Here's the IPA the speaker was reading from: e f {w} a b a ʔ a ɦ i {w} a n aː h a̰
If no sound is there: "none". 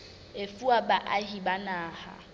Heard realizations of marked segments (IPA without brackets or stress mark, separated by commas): u, b